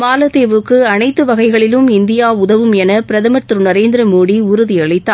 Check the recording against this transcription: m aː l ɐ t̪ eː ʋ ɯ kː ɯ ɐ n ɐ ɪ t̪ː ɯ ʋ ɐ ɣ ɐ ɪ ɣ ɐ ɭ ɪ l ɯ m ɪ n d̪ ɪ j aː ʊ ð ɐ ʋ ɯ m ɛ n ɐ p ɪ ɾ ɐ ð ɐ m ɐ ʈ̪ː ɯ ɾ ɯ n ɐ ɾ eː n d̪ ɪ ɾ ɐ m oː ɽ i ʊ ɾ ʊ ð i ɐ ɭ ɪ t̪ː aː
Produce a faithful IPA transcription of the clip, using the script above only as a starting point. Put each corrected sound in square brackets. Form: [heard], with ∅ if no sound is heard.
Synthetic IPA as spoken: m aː l ɐ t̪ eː ʋ ɯ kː ɯ ɐ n ɐ ɪ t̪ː ɯ ʋ ɐ ɣ ɐ ɪ ɣ ɐ ɭ ɪ l ɯ m ɪ n d̪ ɪ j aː ʊ ð ɐ ʋ ɯ m ɛ n ɐ p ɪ ɾ ɐ ð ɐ m ɐ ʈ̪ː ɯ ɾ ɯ n ɐ ɾ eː n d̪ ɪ ɾ ɐ m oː ɽ i ʊ ɾ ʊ ð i ɐ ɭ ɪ t̪ː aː